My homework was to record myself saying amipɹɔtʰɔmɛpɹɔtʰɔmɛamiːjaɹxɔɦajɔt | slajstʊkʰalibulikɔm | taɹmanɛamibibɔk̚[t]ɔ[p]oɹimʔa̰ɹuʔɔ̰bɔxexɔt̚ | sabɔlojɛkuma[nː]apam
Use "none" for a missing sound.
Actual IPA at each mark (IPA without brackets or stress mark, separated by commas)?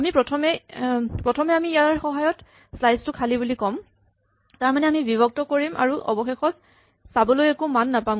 t, k, nː